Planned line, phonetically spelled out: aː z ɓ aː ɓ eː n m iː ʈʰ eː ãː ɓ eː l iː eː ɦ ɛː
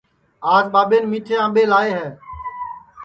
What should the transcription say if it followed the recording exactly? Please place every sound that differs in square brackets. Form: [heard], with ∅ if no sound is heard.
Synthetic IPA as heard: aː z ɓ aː ɓ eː n m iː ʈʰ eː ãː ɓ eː l [aː] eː ɦ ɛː

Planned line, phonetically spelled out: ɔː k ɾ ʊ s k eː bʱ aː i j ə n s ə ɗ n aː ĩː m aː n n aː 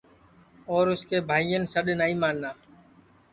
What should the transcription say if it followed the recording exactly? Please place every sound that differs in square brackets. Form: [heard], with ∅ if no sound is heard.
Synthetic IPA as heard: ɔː [∅] ɾ ʊ s k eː bʱ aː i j ə n s ə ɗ n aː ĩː m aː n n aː

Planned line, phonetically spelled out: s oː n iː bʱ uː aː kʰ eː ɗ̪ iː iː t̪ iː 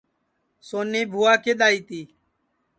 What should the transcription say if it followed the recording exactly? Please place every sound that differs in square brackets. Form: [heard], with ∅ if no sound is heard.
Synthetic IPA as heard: s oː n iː bʱ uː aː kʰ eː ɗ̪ [aː] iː t̪ iː

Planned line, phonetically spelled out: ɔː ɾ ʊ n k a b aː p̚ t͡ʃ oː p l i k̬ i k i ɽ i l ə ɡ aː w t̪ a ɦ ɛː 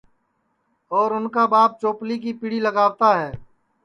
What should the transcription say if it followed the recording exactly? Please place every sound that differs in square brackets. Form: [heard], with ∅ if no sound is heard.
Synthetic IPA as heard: ɔː ɾ ʊ n k a b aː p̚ t͡ʃ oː p l i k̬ i [p] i ɽ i l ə ɡ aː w t̪ a ɦ ɛː

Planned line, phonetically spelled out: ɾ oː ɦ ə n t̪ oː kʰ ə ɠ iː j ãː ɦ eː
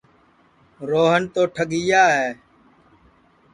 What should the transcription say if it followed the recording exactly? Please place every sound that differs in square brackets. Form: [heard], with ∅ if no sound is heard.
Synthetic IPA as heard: ɾ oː ɦ ə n t̪ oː [ʈʰ] ə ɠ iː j [aː] ɦ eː

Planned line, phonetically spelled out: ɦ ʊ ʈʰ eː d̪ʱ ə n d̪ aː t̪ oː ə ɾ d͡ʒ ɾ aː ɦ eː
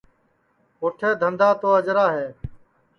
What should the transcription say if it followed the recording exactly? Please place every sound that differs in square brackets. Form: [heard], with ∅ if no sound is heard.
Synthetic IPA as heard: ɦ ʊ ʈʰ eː d̪ʱ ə n d̪ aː t̪ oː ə [∅] d͡ʒ ɾ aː ɦ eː

